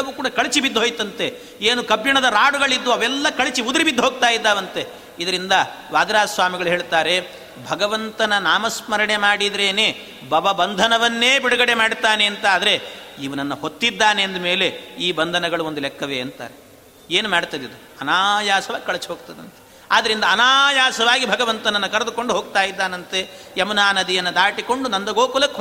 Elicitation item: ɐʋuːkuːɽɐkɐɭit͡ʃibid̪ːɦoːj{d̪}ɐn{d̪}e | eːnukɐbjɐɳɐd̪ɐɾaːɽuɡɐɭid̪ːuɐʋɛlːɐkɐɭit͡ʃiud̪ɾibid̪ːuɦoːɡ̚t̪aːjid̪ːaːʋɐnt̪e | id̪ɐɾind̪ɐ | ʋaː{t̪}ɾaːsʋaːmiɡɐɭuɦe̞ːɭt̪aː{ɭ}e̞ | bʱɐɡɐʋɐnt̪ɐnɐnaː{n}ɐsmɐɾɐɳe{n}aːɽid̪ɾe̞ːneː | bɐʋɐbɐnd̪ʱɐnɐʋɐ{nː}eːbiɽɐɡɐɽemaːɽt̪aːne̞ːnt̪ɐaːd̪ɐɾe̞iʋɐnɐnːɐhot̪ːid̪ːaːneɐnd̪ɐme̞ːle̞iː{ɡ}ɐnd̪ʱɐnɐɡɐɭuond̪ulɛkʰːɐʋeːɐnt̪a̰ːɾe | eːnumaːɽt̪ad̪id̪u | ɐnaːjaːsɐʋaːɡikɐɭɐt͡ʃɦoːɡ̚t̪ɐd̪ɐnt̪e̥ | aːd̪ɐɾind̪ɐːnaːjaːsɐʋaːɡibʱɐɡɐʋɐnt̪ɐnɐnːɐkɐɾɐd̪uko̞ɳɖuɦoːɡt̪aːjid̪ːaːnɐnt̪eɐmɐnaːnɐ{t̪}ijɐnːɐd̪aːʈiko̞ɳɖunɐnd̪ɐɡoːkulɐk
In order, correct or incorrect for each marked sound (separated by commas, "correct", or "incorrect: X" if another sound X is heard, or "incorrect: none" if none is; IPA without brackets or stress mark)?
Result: incorrect: t̪, incorrect: t̪, incorrect: d̪, incorrect: ɾ, incorrect: m, incorrect: m, correct, incorrect: b, incorrect: d̪